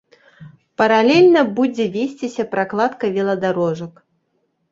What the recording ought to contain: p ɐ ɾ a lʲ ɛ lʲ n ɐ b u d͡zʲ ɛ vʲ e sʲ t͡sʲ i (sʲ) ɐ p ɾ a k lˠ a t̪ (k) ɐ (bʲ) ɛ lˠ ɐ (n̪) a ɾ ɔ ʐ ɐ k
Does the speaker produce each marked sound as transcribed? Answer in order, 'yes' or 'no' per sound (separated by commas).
yes, yes, no, no